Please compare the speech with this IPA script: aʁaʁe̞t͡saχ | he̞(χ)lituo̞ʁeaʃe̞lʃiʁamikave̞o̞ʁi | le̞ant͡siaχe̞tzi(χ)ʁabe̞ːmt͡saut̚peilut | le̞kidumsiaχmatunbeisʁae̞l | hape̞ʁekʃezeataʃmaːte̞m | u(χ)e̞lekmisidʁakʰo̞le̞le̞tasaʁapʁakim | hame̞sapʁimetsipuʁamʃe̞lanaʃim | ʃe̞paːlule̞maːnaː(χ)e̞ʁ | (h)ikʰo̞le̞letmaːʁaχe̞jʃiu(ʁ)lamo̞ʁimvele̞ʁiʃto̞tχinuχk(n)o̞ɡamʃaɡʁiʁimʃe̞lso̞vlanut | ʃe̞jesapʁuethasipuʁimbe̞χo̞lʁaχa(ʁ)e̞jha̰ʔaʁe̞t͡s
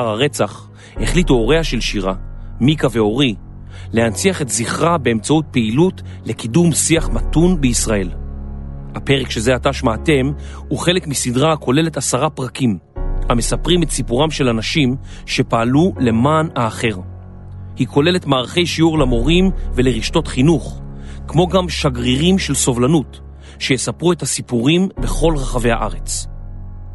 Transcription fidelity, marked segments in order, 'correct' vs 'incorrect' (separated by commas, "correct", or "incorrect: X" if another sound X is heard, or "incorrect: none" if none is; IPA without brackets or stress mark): correct, correct, correct, correct, correct, correct, incorrect: m, incorrect: v